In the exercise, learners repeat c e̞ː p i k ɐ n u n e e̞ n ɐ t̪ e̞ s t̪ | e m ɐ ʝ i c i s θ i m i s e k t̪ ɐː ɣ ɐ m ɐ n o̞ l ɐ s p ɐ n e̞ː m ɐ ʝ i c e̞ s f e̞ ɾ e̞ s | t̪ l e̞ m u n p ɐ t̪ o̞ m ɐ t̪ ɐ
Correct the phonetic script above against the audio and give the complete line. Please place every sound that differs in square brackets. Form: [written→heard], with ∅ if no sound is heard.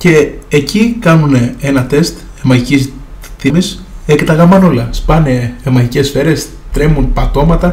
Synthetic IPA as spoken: c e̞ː [p→c] i k ɐ n u n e e̞ n ɐ t̪ e̞ s t̪ | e m ɐ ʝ i c i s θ i m i s e k t̪ [ɐː→ɐ] ɣ ɐ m ɐ n o̞ l ɐ s p ɐ n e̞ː m ɐ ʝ i c e̞ s f e̞ ɾ e̞ s | t̪ [l→ɾ] e̞ m u n p ɐ t̪ o̞ m ɐ t̪ ɐ